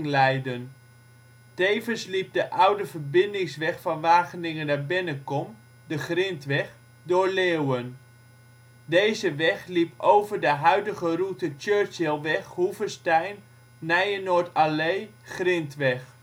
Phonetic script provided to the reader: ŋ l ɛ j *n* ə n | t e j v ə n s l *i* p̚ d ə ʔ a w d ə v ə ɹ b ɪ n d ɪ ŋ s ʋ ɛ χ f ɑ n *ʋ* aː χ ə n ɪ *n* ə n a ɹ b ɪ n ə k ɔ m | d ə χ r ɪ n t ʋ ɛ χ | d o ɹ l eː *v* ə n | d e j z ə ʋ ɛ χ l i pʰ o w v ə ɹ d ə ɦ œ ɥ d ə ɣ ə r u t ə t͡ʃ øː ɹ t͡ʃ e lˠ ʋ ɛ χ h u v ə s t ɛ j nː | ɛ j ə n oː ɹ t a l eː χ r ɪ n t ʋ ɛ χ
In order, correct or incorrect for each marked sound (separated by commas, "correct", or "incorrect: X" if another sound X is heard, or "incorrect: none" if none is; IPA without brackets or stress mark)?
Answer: incorrect: d, correct, correct, incorrect: ŋ, incorrect: w